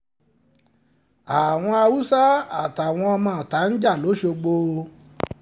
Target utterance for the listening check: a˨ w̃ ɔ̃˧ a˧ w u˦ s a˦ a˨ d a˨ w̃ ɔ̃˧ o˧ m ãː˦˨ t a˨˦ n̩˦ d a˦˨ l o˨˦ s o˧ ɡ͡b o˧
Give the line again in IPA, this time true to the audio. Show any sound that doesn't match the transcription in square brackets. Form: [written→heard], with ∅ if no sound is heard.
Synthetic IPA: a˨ w̃ ɔ̃˧ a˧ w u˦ s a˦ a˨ [d→t] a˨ w̃ ɔ̃˧ [o˧→ɔ˧] m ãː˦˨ t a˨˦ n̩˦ [d→d͡ʒ] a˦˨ l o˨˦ [s→ʃ] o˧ ɡ͡b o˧